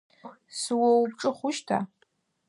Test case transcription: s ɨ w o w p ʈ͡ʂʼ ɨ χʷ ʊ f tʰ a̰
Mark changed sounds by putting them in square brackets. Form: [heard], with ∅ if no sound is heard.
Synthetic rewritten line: s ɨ w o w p ʈ͡ʂʼ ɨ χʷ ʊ [ʃ] tʰ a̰